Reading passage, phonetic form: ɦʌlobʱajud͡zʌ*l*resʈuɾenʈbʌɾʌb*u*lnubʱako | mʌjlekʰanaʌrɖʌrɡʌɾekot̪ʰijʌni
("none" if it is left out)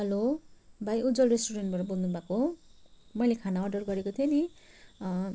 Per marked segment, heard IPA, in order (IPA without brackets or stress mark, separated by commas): l, o